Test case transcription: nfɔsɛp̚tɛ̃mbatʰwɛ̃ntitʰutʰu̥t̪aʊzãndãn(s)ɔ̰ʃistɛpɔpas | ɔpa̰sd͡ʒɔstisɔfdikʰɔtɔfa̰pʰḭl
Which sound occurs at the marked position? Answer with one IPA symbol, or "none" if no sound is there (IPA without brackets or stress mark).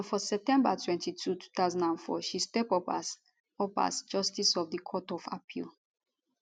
f